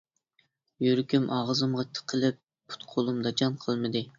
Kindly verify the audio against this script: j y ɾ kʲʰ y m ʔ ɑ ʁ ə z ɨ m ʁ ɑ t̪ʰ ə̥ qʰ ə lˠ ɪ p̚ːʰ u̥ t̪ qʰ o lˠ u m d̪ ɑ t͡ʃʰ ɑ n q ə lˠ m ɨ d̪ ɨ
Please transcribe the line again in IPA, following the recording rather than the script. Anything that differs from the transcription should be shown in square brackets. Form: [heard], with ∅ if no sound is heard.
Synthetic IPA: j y ɾ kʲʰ y m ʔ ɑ ʁ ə z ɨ m ʁ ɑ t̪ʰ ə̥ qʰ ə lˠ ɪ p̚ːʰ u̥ t̪ qʰ o lˠ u m d̪ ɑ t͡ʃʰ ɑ n [qʰ] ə lˠ m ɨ d̪ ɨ